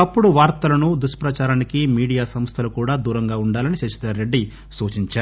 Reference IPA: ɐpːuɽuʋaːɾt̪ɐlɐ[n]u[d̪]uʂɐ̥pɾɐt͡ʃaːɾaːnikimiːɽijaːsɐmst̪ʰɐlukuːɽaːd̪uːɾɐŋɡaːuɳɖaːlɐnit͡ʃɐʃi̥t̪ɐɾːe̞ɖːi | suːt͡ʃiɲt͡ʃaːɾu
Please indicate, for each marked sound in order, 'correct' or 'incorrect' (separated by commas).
correct, correct